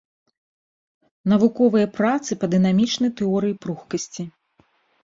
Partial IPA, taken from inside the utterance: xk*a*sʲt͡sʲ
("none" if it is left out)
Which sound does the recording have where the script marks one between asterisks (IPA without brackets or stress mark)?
ɐ